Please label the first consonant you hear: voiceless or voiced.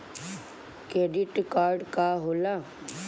voiceless